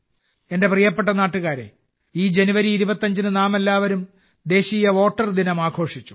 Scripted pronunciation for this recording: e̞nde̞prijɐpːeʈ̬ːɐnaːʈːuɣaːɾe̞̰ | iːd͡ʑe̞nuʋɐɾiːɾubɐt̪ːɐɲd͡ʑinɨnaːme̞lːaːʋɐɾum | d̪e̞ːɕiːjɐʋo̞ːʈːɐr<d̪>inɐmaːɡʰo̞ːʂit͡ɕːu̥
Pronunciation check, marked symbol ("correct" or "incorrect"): correct